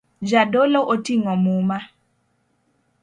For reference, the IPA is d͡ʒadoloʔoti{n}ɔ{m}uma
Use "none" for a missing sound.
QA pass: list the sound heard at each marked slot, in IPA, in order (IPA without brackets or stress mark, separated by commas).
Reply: ŋ, m